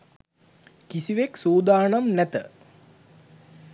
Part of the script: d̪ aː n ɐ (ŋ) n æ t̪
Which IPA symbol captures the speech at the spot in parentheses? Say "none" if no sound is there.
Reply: m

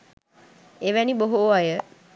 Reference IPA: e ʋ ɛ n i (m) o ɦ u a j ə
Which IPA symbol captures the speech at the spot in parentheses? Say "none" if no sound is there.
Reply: b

